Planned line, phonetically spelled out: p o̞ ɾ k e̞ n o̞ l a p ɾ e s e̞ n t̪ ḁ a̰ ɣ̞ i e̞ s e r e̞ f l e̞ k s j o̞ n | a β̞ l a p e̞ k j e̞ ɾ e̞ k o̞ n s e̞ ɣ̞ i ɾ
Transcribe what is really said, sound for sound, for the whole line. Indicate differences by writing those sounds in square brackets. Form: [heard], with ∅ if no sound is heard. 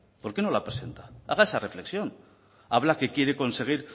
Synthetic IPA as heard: p o̞ ɾ k e̞ n o̞ l a p ɾ e s e̞ n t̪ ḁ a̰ ɣ̞ [a] e̞ s [a] r e̞ f l e̞ k s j o̞ n | a β̞ l a [k] e̞ k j e̞ ɾ e̞ k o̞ n s e̞ ɣ̞ i ɾ